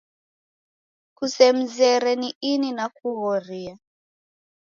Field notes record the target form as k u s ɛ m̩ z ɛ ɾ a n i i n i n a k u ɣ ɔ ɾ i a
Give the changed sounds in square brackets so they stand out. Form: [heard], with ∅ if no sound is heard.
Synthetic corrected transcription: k u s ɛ m̩ z ɛ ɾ [ɛ] n i i n i n a k u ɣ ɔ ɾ i a